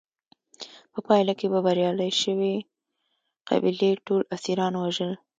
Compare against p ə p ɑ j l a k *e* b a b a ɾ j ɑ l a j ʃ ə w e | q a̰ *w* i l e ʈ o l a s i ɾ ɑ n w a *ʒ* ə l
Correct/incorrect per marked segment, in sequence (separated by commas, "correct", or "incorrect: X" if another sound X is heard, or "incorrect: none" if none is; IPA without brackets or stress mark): correct, incorrect: b, correct